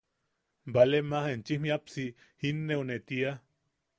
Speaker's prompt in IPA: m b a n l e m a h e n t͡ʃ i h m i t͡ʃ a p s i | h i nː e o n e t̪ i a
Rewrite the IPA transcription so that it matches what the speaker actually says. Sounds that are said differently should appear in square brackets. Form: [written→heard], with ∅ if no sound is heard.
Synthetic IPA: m b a [n→∅] l e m a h e n t͡ʃ i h m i [t͡ʃ→∅] a p s i | h i nː e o n e t̪ i a

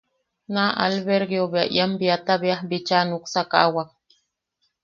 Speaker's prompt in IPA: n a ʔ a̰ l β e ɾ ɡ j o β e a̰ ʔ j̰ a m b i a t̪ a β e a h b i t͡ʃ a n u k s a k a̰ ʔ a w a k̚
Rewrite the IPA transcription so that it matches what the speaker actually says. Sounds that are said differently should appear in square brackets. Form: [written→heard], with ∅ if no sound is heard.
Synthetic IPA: n a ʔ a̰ l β e ɾ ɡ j o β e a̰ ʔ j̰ a m b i a t̪ a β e a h b i t͡ʃ a n u k s a k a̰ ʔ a w a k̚

